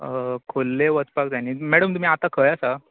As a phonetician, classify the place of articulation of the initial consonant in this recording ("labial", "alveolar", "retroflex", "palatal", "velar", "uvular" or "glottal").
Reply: velar